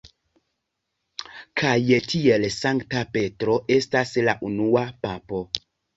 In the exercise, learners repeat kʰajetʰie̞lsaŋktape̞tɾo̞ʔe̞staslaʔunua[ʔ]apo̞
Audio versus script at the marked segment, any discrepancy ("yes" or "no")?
yes